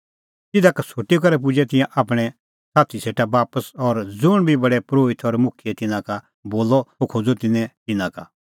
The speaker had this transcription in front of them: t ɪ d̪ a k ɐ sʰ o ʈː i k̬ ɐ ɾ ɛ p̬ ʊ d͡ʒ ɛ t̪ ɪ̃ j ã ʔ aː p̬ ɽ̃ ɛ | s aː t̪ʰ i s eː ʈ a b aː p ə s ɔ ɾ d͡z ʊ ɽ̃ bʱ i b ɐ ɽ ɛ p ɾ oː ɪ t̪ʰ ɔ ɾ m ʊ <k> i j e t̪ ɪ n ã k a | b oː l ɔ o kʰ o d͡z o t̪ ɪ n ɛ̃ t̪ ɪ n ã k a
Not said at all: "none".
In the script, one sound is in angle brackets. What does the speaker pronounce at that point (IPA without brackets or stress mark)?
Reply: kʰ